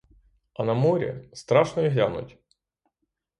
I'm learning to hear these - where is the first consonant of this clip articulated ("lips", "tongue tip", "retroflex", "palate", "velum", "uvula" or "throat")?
tongue tip